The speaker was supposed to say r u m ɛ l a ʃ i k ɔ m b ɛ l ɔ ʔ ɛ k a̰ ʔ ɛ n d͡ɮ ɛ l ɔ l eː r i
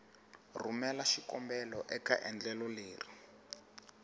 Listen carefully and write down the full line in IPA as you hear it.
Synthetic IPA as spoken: r u m ɛ l a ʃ i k ɔ m b ɛ l ɔ ʔ ɛ k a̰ ʔ ɛ n d͡ɮ ɛ l ɔ l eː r i